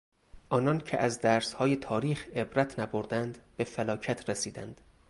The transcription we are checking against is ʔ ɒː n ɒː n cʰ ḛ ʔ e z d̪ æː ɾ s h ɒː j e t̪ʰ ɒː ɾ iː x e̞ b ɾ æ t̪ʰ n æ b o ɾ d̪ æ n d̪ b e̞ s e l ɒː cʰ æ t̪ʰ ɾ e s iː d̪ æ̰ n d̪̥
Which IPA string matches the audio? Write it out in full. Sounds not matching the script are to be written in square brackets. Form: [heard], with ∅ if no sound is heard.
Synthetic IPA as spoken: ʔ ɒː n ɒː n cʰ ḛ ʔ [æ] z d̪ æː ɾ s h ɒː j e t̪ʰ ɒː ɾ iː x e̞ b ɾ æ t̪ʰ n æ b o ɾ d̪ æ n d̪ b e̞ [f] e l ɒː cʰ æ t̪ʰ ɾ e s iː d̪ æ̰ n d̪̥